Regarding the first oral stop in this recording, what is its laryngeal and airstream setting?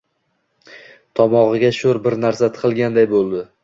aspirated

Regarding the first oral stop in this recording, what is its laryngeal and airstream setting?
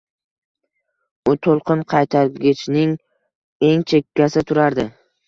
aspirated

